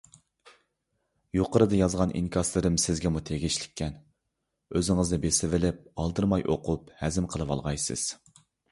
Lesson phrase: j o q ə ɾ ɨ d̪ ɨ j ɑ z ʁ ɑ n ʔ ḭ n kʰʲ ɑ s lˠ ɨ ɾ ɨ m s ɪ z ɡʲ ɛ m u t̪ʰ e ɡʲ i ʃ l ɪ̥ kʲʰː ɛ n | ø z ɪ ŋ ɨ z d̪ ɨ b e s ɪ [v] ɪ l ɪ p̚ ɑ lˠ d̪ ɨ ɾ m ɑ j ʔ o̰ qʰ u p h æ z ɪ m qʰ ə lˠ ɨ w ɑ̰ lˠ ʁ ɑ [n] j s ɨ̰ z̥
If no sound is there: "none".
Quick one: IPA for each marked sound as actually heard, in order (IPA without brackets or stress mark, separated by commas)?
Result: v, none